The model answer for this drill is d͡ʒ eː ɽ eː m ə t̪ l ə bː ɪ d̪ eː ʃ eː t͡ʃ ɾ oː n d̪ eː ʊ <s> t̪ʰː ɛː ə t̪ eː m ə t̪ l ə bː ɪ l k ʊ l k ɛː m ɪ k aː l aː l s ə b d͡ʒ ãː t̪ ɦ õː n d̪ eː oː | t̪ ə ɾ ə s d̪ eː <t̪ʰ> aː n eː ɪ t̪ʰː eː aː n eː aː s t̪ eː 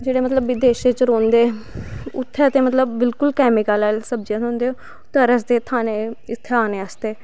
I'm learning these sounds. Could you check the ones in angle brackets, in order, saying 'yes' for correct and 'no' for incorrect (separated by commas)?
no, yes